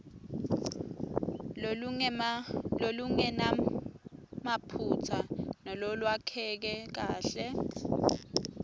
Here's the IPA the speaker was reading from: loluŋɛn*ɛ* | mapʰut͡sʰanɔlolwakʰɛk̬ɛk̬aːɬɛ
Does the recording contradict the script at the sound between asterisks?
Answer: yes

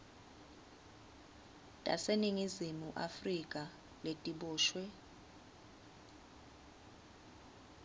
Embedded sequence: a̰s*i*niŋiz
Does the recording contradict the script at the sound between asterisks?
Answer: yes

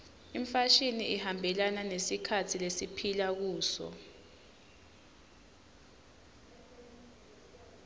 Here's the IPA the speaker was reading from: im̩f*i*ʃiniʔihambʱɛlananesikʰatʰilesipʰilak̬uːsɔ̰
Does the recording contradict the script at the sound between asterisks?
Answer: yes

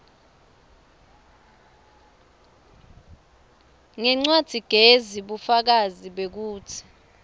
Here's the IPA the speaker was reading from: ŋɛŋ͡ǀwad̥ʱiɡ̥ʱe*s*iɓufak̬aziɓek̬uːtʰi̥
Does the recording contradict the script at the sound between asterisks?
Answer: yes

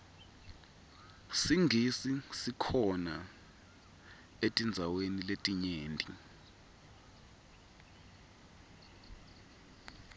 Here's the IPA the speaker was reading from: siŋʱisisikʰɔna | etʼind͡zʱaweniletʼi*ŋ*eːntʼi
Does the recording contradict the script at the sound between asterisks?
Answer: yes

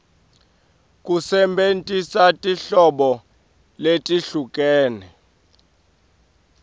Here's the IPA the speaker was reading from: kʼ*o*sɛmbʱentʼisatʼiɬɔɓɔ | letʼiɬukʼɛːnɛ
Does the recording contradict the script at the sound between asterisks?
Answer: yes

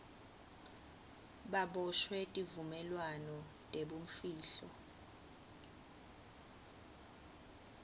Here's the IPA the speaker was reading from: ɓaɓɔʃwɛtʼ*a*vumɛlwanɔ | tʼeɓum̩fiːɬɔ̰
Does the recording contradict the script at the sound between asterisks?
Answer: yes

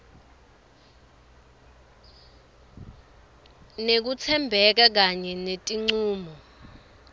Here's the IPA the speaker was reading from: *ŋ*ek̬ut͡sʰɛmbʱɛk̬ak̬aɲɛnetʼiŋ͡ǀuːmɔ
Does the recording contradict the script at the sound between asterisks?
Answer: yes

